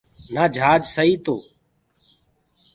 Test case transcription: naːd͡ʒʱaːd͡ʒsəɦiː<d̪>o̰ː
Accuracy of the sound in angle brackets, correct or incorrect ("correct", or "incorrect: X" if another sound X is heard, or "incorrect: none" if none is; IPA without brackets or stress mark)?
incorrect: t̪